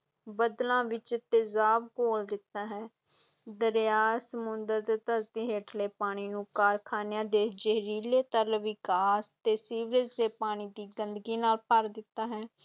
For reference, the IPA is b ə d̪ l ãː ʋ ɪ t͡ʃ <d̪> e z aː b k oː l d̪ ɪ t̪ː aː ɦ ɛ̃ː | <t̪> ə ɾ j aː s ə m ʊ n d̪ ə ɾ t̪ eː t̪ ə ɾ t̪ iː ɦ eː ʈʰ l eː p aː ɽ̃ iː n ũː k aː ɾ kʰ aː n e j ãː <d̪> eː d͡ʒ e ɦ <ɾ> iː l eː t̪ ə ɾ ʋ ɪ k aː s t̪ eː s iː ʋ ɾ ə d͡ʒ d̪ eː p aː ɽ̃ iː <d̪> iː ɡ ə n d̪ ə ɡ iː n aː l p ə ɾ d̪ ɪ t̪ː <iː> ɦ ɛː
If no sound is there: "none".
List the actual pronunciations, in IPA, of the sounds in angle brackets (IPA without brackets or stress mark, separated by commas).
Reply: t̪, d̪, d̪, ɾ, d̪, aː